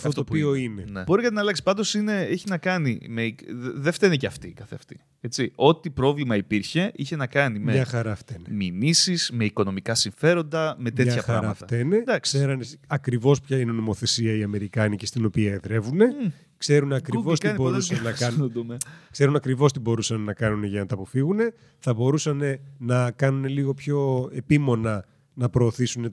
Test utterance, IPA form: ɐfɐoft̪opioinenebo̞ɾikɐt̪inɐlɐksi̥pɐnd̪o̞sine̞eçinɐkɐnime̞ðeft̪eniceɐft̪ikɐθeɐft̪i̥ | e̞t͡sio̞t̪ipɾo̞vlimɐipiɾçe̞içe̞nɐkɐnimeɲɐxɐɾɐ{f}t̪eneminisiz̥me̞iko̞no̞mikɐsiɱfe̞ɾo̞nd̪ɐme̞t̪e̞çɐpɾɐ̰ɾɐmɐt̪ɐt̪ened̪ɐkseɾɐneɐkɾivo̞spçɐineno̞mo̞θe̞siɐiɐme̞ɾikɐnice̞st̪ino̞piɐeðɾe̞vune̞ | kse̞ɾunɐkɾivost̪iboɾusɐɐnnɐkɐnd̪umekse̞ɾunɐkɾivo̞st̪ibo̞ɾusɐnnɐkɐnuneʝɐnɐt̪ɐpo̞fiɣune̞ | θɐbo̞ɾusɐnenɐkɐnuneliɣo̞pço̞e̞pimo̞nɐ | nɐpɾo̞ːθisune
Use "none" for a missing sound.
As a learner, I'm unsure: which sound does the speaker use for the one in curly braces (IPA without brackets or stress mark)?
f